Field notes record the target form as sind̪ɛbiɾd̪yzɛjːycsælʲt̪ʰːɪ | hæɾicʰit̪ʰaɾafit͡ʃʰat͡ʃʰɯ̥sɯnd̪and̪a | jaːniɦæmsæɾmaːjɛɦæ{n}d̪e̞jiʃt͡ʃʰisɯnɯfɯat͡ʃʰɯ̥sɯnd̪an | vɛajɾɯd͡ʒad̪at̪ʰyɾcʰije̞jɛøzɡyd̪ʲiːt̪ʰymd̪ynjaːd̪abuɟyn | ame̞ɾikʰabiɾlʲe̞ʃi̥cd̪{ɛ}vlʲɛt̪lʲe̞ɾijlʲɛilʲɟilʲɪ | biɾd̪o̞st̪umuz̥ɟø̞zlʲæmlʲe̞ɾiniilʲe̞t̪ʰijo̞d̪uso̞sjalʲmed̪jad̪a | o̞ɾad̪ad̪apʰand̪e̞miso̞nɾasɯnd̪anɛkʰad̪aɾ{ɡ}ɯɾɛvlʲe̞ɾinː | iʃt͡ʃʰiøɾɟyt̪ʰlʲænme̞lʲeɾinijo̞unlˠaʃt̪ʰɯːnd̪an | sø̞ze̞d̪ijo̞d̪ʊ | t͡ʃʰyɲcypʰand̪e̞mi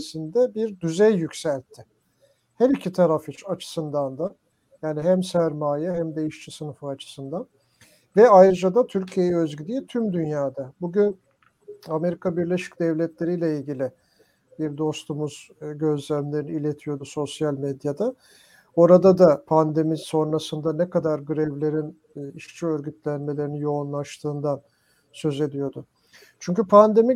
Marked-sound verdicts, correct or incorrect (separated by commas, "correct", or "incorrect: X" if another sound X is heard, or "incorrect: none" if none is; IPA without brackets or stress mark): incorrect: m, correct, correct